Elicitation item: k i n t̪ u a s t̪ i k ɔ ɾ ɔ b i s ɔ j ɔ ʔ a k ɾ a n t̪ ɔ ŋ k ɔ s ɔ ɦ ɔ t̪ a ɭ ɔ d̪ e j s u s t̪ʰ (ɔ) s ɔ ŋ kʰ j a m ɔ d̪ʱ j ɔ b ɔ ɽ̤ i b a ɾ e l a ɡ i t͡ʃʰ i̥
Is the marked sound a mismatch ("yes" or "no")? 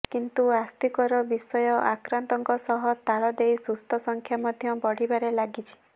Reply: no